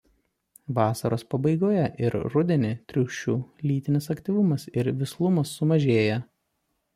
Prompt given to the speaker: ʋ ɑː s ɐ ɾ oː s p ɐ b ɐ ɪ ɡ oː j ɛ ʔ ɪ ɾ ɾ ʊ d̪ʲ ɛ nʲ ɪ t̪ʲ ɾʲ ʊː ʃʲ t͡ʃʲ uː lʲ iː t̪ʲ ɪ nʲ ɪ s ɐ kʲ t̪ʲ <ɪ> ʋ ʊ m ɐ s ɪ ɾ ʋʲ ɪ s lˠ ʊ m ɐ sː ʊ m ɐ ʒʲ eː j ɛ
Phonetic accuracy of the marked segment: incorrect: i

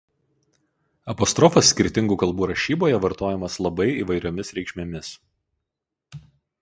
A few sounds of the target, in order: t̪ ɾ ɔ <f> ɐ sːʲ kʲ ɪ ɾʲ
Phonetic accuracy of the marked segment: correct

